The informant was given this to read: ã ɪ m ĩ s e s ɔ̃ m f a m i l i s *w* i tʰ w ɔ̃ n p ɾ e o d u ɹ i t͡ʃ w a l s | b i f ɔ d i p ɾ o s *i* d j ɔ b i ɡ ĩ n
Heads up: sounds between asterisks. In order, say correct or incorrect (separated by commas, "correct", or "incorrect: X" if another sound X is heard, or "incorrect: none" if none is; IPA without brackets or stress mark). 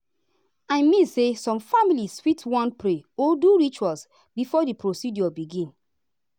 correct, correct